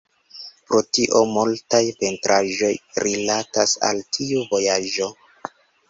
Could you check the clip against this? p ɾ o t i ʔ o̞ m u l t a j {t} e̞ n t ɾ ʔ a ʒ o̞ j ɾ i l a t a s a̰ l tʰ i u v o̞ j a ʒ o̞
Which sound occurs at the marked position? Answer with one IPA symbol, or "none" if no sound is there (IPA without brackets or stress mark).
p